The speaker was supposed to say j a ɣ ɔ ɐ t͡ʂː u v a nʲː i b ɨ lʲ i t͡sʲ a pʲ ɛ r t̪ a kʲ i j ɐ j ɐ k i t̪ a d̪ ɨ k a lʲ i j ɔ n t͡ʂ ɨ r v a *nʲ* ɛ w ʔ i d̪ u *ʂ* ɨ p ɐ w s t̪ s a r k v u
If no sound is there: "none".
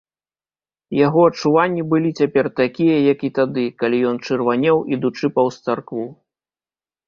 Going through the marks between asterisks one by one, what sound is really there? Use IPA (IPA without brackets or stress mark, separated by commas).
nʲ, t͡ʂ